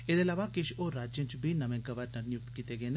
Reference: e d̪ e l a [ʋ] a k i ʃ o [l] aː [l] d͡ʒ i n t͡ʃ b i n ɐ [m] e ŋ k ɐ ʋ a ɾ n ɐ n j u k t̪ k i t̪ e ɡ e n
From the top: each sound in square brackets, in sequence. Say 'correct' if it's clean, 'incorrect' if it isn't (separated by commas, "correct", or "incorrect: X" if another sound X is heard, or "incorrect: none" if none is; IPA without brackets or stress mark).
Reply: correct, incorrect: ɾ, incorrect: none, correct